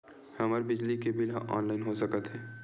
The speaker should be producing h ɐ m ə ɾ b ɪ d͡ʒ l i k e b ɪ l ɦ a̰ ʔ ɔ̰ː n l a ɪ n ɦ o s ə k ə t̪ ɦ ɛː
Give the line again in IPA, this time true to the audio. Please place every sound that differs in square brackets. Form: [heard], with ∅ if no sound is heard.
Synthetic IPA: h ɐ m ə ɾ b ɪ d͡ʒ l i k e b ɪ l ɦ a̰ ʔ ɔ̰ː n l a ɪ n ɦ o s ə k ə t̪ ɦ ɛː